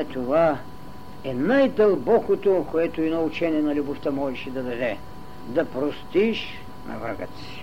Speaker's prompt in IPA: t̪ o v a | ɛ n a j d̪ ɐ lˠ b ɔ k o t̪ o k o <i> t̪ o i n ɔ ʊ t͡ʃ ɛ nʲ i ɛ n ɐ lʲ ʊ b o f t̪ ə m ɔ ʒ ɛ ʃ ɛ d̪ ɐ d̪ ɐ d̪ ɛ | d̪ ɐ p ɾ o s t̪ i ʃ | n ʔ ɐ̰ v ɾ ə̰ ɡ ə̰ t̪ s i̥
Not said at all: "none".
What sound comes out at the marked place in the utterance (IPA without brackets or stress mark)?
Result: ɛ